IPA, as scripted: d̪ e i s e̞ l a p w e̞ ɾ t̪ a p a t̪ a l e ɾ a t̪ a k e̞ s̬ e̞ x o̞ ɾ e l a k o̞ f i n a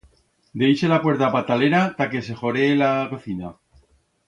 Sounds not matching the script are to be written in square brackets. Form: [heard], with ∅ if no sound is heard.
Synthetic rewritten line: d̪ e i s e̞ l a p w e̞ ɾ t̪ a p a t̪ a l e ɾ a t̪ a k e̞ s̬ e̞ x o̞ ɾ e l a k o̞ [θ] i n a

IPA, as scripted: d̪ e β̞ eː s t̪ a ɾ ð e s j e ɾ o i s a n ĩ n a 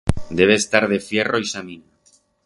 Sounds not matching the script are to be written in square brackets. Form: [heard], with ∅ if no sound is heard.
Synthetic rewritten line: d̪ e β̞ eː s t̪ a ɾ ð e [f] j e [r] o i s a [m] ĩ n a

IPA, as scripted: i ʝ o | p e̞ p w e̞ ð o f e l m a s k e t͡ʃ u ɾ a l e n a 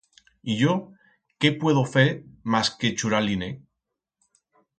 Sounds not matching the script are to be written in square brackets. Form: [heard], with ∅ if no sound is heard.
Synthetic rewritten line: i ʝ o | [k] e̞ p w e̞ ð o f e [ɾ] m a s k e t͡ʃ u ɾ a l [i] n [e]

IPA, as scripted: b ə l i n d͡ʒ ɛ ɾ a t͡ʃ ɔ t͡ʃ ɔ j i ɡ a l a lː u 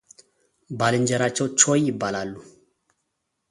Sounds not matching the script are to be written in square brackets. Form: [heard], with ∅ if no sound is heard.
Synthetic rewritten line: b [a] l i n d͡ʒ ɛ ɾ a t͡ʃ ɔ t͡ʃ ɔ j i [b] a l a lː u

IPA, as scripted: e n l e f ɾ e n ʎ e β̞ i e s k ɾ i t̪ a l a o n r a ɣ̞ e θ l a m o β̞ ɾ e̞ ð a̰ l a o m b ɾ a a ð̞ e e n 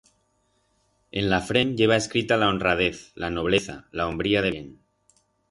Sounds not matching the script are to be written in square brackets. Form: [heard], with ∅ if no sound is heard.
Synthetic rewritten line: e n l [a] f ɾ e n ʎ e β̞ [a] e s k ɾ i t̪ a l a o n r a [ð̞] e θ l a [n] o β̞ [l] e̞ [θ] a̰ l a o m b ɾ [i] a ð̞ e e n

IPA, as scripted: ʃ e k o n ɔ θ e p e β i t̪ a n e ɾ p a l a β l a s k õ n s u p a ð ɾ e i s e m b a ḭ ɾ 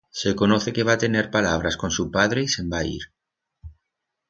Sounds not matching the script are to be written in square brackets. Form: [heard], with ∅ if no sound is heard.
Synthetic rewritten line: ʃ e k o n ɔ θ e [k] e β [a] t̪ [e] n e ɾ p a l a β [ɾ] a s k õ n s u p a ð ɾ e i s e m b a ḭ ɾ

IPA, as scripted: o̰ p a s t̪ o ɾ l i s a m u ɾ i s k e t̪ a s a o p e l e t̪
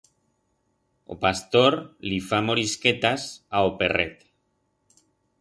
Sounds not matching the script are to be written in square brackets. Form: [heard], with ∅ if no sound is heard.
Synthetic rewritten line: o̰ p a s t̪ o ɾ l i [f] a m [o] ɾ i s k e t̪ a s a o p e [r] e t̪

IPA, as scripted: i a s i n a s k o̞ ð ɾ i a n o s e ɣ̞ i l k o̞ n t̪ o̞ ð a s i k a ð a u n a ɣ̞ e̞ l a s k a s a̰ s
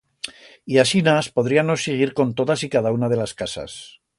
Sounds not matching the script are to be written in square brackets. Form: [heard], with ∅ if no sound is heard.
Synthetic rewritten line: i a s i n a s [p] o̞ ð ɾ i a n o s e ɣ̞ i [ɾ] k o̞ n t̪ o̞ ð a s i k a ð a u n a [ð̞] e̞ l a s k a s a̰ s

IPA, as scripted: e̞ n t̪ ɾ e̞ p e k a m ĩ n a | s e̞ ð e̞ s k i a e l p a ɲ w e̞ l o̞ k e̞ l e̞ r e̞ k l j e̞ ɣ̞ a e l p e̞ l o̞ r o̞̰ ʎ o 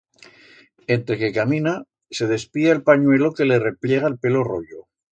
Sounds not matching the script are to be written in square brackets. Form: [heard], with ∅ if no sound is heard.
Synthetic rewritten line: e̞ n t̪ ɾ e̞ [k] e k a m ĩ n a | s e̞ ð e̞ s [p] i a e l p a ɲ w e̞ l o̞ k e̞ l e̞ r e̞ [p] l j e̞ ɣ̞ a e l p e̞ l o̞ r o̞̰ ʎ o

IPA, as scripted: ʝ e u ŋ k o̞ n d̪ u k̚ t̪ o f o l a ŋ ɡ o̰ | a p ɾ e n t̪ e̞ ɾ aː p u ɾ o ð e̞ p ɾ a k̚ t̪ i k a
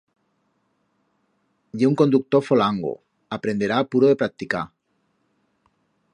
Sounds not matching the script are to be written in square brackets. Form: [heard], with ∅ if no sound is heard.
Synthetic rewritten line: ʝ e u ŋ k o̞ n d̪ u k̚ t̪ o f o l a ŋ ɡ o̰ | a p ɾ e n [d̪] e̞ ɾ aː p u ɾ o ð e̞ p ɾ a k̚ t̪ i k a

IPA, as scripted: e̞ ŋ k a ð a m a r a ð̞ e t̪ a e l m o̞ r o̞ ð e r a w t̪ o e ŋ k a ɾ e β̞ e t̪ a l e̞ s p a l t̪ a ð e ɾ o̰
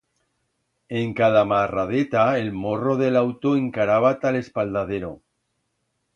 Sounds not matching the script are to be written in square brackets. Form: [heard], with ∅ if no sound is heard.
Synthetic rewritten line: e̞ ŋ k a ð a m a r a ð̞ e t̪ a e l m o̞ r o̞ ð e [l] a w t̪ o e ŋ k a ɾ [a] β̞ [a] t̪ a l e̞ s p a l [d̪] a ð e ɾ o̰

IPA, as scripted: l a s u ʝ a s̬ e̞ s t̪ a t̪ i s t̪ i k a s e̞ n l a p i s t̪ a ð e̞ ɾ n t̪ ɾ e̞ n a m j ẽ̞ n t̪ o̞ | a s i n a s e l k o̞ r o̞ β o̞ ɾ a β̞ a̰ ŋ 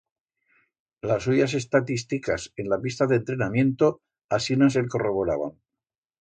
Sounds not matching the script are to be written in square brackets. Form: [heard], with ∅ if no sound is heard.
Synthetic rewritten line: l a s u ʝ a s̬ e̞ s t̪ a t̪ i s t̪ i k a s e̞ n l a p i s t̪ a ð e̞ [∅] n t̪ ɾ e̞ n a m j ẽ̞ n t̪ o̞ | a s i n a s e l k o̞ r o̞ β o̞ ɾ a β̞ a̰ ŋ

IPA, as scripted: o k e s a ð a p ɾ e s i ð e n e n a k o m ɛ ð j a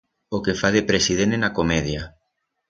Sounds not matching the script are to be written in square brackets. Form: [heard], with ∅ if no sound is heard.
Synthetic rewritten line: o k e [f] a ð [e] p ɾ e s i ð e n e n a k o m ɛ ð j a

